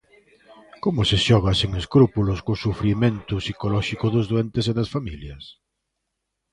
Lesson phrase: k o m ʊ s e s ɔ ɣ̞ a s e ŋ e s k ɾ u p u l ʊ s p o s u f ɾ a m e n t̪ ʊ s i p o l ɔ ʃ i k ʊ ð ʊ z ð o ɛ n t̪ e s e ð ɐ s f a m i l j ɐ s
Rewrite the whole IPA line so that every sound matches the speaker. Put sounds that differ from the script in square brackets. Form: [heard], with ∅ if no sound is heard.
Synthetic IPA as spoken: k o m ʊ s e [ʃ] ɔ ɣ̞ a s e ŋ e s k ɾ u p u l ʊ s [k] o s u f ɾ [i] m e n t̪ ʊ s i [k] o l ɔ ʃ i k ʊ ð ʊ z ð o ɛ n t̪ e s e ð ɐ s f a m i l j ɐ s